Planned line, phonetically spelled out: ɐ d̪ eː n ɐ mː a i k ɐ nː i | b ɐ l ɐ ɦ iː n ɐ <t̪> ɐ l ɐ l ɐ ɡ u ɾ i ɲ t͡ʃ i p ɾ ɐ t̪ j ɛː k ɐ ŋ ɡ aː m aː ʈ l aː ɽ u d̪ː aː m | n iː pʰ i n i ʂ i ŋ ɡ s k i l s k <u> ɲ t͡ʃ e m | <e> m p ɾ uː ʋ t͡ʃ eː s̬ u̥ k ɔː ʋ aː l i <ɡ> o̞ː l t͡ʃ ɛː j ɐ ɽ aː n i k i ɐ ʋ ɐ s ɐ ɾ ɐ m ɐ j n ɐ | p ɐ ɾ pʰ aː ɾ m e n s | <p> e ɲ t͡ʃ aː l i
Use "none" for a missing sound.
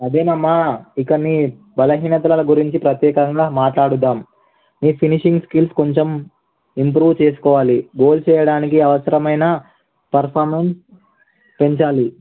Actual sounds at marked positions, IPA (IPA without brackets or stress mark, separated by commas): t̪, o, i, ɡ, p